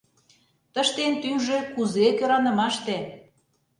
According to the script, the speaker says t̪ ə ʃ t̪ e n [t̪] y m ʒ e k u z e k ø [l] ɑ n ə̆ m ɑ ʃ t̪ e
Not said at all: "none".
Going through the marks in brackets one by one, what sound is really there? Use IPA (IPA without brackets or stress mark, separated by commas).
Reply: t̪, ɾ